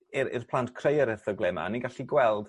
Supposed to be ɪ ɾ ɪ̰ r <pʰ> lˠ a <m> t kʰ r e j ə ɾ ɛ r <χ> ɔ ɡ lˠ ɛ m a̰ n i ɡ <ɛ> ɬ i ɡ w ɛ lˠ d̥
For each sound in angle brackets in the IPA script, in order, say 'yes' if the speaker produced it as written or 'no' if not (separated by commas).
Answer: yes, no, no, no